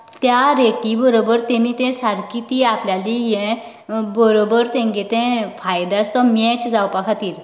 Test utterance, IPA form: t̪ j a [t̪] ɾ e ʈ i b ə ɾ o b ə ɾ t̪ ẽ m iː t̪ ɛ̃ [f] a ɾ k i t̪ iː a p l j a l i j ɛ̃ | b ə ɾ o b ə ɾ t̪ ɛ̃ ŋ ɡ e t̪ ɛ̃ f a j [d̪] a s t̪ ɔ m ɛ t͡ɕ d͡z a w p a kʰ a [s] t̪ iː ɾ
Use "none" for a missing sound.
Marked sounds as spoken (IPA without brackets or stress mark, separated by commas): none, s, d̪, none